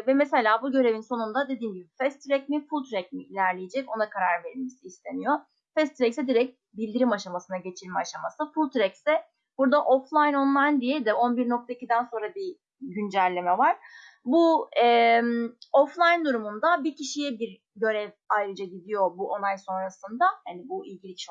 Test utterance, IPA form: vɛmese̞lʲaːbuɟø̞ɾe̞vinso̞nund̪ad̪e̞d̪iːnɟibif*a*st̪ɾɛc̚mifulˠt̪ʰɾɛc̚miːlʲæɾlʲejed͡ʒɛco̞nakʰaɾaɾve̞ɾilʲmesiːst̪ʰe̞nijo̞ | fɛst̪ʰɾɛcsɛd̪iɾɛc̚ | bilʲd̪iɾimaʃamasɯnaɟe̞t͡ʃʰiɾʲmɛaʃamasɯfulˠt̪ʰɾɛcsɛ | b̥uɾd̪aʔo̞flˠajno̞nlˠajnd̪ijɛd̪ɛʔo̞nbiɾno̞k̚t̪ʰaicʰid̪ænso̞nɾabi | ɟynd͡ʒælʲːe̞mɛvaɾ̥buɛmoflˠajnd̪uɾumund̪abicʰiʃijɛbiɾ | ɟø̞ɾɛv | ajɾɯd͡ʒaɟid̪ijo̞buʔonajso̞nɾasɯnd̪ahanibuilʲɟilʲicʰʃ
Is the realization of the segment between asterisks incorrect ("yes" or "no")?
yes